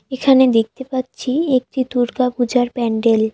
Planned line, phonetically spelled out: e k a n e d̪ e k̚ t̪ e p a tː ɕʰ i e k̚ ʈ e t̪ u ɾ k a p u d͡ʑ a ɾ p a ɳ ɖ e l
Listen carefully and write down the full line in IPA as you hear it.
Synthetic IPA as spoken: e kʰ a n e d̪ e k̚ t̪ e p a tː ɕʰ i e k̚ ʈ i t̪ u ɾ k a p u d͡ʑ a ɾ p ɛ ɳ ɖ e l